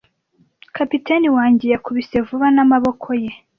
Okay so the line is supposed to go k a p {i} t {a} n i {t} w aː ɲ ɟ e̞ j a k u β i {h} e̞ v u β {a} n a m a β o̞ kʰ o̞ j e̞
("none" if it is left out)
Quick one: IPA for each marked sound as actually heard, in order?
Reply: i, e, none, s, a

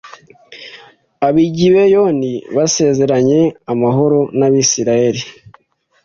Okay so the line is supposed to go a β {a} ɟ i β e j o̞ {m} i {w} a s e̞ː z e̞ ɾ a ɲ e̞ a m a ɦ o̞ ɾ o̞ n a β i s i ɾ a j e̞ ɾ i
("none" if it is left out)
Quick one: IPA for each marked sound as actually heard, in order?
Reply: i, n, β

